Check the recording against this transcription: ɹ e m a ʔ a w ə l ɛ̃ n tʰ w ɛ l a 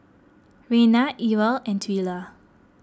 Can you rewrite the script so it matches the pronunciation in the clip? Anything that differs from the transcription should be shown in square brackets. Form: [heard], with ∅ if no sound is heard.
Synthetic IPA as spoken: ɹ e [n] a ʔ [i] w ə l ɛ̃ n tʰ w [i] l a